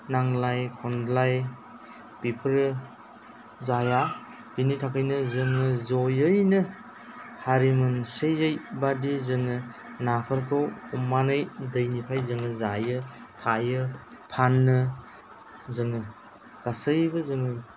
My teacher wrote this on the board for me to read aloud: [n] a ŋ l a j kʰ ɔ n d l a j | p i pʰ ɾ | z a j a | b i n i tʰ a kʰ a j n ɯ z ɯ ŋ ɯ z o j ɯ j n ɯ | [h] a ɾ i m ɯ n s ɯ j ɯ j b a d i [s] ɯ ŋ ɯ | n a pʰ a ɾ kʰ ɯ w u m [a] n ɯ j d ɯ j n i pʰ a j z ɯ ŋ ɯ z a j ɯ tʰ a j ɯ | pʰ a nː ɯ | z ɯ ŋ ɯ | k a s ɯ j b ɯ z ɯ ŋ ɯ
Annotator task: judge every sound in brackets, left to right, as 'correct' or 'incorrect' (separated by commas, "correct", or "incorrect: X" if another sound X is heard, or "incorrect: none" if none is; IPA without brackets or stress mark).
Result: correct, correct, incorrect: z, correct